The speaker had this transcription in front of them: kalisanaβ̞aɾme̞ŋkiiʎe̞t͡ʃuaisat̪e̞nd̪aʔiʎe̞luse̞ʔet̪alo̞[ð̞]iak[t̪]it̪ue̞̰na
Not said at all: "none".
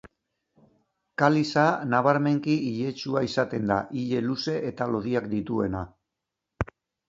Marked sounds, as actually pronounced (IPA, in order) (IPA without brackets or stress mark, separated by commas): ð̞, d̪